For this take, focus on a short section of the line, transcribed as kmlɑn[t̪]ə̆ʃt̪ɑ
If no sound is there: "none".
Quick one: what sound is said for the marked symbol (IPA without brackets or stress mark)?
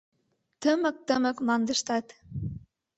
d̪